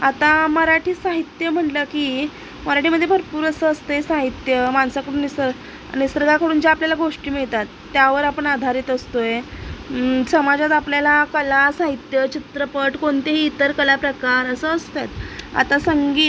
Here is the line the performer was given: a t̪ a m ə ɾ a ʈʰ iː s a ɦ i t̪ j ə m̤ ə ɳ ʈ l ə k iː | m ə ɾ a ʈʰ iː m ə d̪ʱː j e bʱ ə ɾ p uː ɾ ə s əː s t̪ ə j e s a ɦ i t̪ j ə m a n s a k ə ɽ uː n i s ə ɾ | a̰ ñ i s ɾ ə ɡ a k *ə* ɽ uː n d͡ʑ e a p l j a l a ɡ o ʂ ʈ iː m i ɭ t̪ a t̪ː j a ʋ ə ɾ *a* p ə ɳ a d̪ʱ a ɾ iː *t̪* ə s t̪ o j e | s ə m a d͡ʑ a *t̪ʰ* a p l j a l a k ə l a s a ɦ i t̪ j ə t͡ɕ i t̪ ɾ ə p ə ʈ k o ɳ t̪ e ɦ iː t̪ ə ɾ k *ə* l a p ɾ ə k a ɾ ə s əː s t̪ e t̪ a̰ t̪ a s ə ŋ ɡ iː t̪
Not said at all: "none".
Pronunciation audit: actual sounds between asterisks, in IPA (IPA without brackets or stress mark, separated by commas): ə, a, t̪, t̪, ə